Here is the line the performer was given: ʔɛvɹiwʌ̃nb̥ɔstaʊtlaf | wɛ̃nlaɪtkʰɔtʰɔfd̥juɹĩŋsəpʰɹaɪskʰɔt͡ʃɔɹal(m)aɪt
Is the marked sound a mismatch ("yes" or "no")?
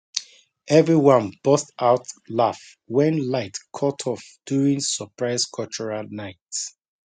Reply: yes